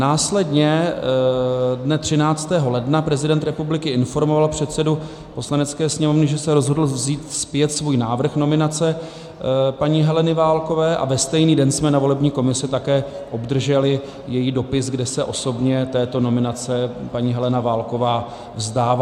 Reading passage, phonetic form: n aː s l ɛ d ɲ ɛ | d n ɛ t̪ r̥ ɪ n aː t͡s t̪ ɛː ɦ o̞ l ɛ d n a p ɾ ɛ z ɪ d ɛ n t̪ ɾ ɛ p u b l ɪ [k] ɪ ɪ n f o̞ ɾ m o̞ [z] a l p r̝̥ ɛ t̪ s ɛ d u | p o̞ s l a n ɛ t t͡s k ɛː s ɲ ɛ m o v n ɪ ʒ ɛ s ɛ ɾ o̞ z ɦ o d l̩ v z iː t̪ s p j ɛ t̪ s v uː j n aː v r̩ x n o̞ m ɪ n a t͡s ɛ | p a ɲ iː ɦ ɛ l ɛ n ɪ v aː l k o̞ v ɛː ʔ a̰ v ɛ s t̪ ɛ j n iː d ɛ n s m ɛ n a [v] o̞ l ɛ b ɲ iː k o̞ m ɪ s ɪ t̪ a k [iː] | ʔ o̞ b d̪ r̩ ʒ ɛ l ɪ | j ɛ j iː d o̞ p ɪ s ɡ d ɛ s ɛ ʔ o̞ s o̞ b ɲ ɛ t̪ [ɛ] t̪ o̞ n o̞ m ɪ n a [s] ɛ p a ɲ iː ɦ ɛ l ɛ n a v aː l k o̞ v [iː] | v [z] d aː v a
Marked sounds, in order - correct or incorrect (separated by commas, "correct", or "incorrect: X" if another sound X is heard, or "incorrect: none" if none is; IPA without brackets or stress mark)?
correct, incorrect: v, correct, incorrect: ɛː, incorrect: ɛː, incorrect: t͡s, incorrect: aː, correct